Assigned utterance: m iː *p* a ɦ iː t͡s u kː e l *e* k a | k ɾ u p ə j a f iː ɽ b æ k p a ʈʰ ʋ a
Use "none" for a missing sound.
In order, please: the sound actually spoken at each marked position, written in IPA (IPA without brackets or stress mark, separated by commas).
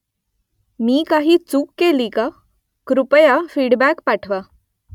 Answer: k, i